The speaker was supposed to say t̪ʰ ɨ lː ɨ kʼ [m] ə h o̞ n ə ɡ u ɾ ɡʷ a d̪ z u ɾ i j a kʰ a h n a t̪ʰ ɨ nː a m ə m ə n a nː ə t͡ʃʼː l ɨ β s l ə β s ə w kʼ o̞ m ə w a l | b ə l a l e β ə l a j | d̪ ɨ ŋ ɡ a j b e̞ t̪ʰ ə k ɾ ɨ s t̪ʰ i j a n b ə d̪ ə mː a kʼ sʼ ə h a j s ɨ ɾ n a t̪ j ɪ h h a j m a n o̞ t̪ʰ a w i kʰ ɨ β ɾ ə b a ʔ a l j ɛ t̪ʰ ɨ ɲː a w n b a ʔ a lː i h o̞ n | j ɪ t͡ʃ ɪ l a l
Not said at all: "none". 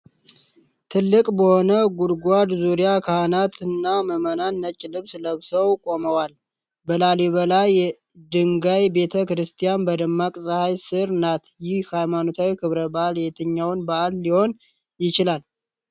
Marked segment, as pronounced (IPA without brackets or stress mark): b